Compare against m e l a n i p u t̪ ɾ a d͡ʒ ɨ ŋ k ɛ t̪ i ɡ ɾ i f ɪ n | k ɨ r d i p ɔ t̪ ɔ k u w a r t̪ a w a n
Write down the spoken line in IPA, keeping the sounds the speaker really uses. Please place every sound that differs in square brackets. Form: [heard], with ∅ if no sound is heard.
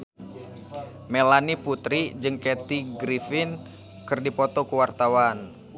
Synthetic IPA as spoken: m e l a n i p u t̪ ɾ [i] d͡ʒ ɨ ŋ k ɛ t̪ i ɡ ɾ i f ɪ n | k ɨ r d i p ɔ t̪ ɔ k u w a r t̪ a w a n